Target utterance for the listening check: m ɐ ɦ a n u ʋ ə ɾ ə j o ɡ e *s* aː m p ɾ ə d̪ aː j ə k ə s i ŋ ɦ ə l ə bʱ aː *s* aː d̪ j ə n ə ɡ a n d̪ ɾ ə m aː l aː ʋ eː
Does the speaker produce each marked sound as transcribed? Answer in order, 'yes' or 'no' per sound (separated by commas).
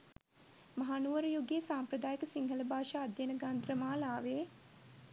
yes, no